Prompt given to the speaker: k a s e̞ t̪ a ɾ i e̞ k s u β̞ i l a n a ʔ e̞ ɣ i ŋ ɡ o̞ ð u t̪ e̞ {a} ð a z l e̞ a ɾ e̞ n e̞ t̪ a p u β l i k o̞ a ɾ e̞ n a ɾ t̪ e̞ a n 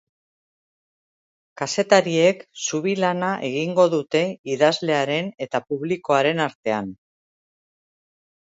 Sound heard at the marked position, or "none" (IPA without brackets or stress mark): i